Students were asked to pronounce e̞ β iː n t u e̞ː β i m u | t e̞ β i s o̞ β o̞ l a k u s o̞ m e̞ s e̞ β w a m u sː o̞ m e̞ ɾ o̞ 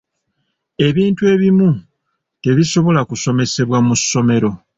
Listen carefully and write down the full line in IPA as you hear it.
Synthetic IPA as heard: e̞ β iː n t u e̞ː β i m u | t e̞ β i s o̞ β o̞ l a k u s o̞ m e̞ s e̞ β w a m u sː o̞ m e̞ ɾ o̞